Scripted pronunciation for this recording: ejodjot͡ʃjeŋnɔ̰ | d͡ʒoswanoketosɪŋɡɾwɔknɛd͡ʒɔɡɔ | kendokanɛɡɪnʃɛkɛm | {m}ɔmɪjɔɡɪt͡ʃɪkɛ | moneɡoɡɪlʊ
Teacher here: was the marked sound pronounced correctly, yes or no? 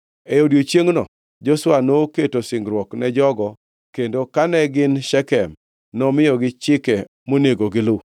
no